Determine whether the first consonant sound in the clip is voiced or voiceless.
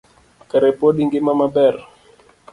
voiceless